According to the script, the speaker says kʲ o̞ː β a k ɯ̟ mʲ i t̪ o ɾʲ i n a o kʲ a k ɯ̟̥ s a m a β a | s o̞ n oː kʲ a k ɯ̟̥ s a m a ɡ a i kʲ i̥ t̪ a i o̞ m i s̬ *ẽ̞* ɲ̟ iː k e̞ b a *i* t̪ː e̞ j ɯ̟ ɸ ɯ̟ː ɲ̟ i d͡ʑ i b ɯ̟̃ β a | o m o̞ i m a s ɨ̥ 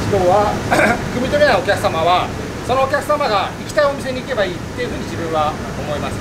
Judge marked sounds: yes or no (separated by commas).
no, no